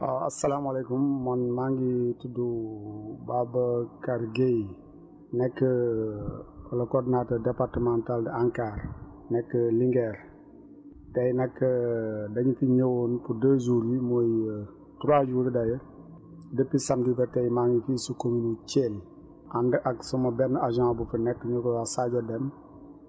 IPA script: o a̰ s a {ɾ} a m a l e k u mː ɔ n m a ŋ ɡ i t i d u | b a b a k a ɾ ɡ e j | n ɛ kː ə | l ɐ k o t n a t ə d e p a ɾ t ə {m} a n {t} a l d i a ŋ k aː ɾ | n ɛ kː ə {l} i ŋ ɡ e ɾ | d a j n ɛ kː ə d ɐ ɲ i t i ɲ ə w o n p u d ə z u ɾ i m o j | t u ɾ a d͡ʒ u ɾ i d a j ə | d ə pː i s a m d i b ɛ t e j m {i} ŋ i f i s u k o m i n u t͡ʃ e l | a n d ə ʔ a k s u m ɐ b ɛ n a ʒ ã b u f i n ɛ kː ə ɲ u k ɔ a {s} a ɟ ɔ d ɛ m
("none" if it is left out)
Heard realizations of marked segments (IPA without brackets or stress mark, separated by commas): l, m, t, l, a, s